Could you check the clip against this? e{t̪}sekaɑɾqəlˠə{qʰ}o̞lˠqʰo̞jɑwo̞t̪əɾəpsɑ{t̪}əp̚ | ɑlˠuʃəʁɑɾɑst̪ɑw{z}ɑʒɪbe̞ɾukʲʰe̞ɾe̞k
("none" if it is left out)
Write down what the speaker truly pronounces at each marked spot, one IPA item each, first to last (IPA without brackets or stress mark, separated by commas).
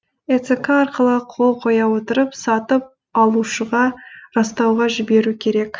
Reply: t̪, qʰ, t̪, ʁ